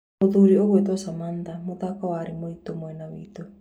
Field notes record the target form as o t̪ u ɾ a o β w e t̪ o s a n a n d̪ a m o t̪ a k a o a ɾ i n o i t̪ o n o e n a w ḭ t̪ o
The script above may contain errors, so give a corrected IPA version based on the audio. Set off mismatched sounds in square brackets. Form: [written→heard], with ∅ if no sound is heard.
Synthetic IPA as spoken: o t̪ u ɾ [a→i] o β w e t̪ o s a [n→m] a n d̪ a m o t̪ a k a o a ɾ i [n→m] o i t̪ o [n→m] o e n a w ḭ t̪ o